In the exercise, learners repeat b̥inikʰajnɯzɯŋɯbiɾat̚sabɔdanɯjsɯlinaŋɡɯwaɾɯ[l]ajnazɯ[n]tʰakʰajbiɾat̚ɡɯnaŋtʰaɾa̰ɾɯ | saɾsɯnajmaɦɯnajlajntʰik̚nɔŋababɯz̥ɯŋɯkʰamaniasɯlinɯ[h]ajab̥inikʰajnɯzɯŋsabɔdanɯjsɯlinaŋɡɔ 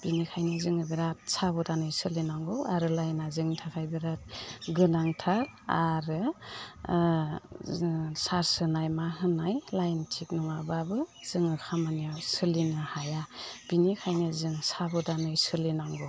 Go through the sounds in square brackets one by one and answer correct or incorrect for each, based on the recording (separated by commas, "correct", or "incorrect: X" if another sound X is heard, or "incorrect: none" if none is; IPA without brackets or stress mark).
correct, incorrect: ŋ, correct